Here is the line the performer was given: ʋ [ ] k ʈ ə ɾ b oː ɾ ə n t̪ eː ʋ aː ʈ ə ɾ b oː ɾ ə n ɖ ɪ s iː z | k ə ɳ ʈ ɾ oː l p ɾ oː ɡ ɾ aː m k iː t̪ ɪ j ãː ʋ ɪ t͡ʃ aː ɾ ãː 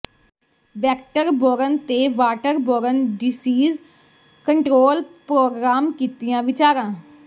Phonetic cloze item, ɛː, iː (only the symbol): ɛː